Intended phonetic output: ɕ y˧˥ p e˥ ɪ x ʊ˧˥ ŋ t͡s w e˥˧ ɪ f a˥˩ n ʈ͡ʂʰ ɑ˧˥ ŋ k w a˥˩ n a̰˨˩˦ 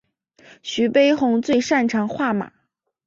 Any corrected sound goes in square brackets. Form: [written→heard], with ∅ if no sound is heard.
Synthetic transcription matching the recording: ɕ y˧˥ p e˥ ɪ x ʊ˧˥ ŋ t͡s w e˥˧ ɪ [f→ʂ] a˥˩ n ʈ͡ʂʰ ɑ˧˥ ŋ [k→x] w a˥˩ [n→m] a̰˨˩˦